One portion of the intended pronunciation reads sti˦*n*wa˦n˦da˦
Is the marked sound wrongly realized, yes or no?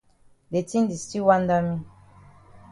yes